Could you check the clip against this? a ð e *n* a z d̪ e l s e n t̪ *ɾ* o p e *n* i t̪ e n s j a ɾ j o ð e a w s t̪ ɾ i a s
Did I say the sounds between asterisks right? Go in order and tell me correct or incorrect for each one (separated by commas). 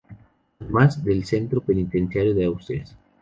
incorrect, correct, correct